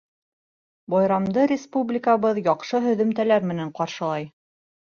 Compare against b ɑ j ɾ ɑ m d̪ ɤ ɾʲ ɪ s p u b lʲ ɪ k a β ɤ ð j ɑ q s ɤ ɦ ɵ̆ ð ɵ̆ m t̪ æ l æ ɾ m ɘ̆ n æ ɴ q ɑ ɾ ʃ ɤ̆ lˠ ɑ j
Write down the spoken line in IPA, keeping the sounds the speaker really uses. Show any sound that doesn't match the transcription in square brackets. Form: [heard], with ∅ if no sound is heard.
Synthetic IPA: b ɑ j ɾ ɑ m d̪ ɤ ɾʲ ɪ s p u b lʲ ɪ k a β ɤ ð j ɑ q [ʃ] ɤ ɦ ɵ̆ ð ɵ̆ m t̪ æ l æ ɾ m ɘ̆ n æ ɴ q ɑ ɾ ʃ ɤ̆ lˠ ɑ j